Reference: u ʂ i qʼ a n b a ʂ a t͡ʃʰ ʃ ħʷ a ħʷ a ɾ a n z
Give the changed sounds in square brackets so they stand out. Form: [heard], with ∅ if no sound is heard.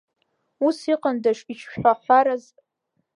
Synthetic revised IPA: u [s] i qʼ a n [d] a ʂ [i] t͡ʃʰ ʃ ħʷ a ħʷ a ɾ a [∅] z